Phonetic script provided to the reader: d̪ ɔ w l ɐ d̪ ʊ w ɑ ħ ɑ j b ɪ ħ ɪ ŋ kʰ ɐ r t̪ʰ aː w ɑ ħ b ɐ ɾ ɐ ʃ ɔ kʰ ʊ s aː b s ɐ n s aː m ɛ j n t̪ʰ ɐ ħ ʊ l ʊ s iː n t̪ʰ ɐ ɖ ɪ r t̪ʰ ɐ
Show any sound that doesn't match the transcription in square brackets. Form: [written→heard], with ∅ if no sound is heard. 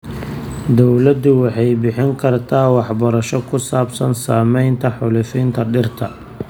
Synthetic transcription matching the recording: d̪ ɔ w l ɐ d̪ ʊ w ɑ ħ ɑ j b ɪ ħ ɪ ŋ kʰ ɐ r t̪ʰ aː w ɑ ħ b ɐ ɾ ɐ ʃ ɔ kʰ ʊ s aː b s ɐ n s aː m ɛ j n t̪ʰ ɐ ħ ʊ l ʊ [s→f] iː n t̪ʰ ɐ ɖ ɪ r t̪ʰ ɐ